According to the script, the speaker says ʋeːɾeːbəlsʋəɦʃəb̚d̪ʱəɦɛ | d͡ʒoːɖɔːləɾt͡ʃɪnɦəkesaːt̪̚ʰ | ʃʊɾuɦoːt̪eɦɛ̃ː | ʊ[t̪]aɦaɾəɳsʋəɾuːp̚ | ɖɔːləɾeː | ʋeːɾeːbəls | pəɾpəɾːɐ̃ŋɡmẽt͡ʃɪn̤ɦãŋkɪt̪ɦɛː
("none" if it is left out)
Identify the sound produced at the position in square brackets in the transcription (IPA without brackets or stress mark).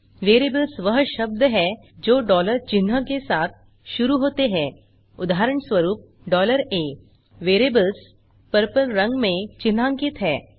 d̪